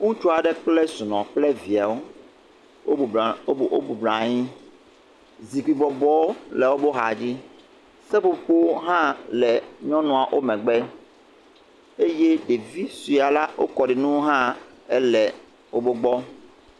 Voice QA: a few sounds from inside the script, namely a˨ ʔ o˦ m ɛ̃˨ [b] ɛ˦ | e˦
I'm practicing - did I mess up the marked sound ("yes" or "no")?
yes